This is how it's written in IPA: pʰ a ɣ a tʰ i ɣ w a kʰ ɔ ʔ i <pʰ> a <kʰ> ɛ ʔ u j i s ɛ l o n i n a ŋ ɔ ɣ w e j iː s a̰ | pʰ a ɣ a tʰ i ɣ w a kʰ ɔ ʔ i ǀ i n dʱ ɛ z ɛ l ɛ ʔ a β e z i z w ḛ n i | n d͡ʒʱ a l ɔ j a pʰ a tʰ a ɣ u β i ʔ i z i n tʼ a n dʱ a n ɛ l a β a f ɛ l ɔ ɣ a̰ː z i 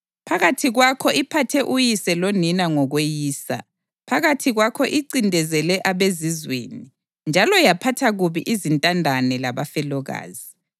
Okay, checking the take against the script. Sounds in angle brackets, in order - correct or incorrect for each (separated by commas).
correct, incorrect